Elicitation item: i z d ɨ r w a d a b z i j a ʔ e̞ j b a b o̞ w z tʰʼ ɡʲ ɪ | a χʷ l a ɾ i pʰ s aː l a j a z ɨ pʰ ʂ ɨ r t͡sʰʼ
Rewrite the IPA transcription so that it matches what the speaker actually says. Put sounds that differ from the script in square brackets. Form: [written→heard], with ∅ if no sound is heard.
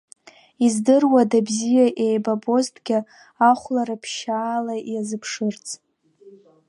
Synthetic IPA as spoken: i z d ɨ r w a d a b z i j a ʔ e̞ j b a b o̞ [w→∅] z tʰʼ ɡʲ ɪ | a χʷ l a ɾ [i→a] pʰ [s→ʃ] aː l a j a z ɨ pʰ ʂ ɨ r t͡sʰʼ

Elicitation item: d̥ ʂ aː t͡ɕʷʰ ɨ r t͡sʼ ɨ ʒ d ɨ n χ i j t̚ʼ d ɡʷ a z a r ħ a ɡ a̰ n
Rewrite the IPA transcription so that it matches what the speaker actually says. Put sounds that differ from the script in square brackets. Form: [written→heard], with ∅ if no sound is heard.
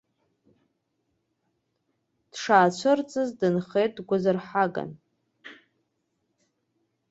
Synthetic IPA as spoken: d̥ ʂ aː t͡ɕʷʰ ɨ r t͡sʼ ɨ [ʒ→z] d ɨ n χ [i→e] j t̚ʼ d ɡʷ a z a r ħ a ɡ a̰ n

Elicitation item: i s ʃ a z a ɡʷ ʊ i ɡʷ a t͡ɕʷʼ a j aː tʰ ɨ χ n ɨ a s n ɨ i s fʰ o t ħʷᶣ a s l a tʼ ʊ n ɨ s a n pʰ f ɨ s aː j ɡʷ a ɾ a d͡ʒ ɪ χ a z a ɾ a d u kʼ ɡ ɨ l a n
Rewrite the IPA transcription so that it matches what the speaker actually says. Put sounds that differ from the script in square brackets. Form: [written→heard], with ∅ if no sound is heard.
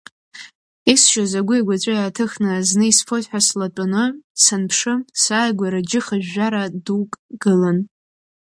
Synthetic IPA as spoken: i s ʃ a z a ɡʷ ʊ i ɡʷ a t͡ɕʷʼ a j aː tʰ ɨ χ n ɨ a [s→z] n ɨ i s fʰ o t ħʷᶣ a s l a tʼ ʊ n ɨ s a n pʰ [f→ʂ] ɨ s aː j ɡʷ a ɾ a d͡ʒ ɪ χ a [z→ʒ] a ɾ a d u kʼ ɡ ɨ l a n

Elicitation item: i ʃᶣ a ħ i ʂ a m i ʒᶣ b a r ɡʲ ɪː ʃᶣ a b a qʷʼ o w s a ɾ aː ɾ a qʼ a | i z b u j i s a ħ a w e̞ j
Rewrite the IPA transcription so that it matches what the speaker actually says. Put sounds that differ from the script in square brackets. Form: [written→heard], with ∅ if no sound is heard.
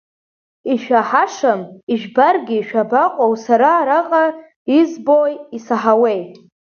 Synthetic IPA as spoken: i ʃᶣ a ħ [i→a] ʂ a m i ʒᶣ b a r ɡʲ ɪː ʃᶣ a b a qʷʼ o w s a ɾ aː ɾ a qʼ a | i z b [u→o] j i s a ħ a w e̞ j

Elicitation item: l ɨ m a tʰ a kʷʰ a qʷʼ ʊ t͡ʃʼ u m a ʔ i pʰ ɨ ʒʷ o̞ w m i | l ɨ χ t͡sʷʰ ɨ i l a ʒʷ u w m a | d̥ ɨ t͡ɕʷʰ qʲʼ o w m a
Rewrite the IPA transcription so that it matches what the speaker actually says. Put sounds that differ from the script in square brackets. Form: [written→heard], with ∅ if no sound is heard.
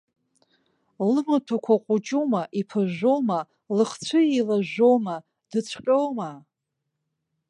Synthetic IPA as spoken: l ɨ m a tʰ a kʷʰ a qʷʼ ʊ t͡ʃʼ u m a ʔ i pʰ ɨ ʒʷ o̞ w m [i→a] | l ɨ χ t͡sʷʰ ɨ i l a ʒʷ [u→o] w m a | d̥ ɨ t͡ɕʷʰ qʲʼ o w m a

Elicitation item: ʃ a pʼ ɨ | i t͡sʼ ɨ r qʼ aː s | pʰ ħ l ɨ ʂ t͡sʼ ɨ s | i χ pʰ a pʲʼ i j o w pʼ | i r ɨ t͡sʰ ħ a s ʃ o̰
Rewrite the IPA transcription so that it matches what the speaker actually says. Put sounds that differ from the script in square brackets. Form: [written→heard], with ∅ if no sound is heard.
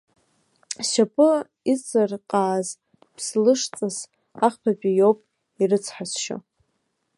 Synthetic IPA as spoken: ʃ a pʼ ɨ | i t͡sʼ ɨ r qʼ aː [s→z] | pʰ [ħ→s] l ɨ ʂ t͡sʼ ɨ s | [i→a] χ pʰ a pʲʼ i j o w pʼ | i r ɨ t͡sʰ ħ a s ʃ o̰

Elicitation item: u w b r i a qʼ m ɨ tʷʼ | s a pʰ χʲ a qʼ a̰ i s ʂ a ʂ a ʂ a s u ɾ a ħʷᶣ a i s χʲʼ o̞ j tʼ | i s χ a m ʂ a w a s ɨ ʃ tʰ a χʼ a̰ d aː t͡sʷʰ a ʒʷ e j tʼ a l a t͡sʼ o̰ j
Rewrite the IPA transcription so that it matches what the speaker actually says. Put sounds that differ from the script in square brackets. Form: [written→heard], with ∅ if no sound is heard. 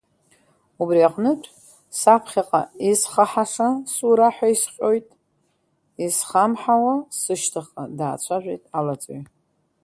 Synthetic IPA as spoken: u [w→∅] b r i a qʼ [m→n] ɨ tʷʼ | s a pʰ χʲ a qʼ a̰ i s [ʂ→χ] a [ʂ→ħ] a ʂ a s u ɾ a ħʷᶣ a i s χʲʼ o̞ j tʼ | i s χ a m [ʂ→ħ] a w a s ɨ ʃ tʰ a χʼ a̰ d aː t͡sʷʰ a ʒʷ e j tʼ a l a t͡sʼ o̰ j

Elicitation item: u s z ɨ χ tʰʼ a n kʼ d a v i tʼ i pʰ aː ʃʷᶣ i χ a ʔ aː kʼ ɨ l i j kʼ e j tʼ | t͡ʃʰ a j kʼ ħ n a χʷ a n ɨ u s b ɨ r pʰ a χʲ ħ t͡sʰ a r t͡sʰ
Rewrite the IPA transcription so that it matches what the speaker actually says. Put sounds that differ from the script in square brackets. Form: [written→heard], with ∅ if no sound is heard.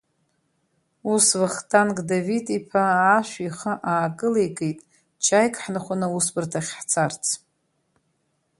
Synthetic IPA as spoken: u s [z→v] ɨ χ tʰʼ a n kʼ d a v i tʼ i pʰ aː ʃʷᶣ i χ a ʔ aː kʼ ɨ l [i→e] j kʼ e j tʼ | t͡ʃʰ a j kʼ ħ n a χʷ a n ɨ u s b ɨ r [pʰ→tʰ] a χʲ ħ t͡sʰ a r t͡sʰ

